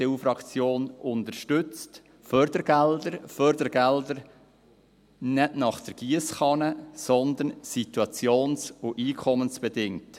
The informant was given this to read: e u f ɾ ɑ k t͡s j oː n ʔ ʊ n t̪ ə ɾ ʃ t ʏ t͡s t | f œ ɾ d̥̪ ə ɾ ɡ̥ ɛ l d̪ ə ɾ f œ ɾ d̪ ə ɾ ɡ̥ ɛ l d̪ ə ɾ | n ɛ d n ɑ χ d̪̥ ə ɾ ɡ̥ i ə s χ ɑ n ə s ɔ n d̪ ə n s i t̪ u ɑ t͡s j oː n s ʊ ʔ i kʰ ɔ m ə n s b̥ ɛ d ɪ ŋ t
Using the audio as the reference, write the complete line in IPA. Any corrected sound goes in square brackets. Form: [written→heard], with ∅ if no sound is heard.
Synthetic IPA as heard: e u f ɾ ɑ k t͡s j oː n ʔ ʊ n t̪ ə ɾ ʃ t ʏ t͡s t | f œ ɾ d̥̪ ə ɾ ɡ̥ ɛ l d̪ ə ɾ f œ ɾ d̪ ə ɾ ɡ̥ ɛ l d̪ ə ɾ | n ɛ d n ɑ χ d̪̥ ə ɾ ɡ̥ i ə s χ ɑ n ə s ɔ n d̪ ə n s i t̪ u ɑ t͡s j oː n s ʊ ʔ [i→iː] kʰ ɔ m ə n s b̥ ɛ d ɪ ŋ t